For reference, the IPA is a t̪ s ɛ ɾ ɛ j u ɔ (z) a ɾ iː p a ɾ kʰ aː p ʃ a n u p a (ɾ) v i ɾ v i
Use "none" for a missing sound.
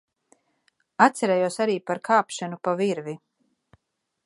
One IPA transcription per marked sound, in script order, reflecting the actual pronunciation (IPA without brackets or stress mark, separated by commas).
s, none